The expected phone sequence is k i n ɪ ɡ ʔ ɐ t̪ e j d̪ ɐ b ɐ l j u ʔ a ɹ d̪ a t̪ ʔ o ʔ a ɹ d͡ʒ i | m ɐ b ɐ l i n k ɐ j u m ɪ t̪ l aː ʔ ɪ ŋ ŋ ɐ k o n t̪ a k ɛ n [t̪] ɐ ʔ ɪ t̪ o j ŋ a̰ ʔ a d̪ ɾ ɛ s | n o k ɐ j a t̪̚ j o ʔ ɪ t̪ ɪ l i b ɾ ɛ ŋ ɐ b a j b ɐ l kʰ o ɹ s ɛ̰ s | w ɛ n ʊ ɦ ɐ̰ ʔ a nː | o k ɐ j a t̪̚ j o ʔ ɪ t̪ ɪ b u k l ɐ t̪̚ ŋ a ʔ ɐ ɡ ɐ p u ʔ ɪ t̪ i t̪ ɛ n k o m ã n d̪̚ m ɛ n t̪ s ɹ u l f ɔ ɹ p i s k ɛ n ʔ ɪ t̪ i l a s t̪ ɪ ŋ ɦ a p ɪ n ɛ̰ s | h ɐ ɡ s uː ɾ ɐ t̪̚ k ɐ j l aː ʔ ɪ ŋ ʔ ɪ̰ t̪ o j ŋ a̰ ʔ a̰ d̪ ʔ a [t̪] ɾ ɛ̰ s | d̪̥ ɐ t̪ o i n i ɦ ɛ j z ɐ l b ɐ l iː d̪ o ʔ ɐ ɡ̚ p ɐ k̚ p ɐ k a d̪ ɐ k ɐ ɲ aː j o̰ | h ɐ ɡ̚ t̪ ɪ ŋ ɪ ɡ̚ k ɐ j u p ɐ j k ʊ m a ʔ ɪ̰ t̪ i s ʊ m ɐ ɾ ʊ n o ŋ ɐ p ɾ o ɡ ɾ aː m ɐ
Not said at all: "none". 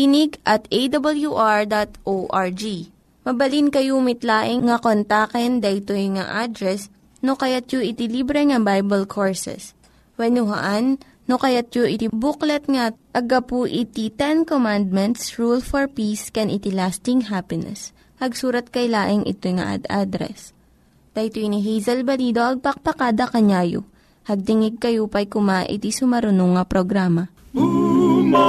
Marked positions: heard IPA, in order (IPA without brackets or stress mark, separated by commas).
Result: d̪, d̪